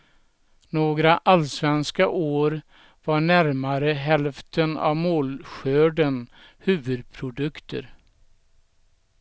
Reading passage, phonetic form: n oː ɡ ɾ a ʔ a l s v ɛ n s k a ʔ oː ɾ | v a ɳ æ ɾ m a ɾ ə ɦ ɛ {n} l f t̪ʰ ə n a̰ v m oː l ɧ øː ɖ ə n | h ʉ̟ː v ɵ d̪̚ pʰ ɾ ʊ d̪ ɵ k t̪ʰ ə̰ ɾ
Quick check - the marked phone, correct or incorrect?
incorrect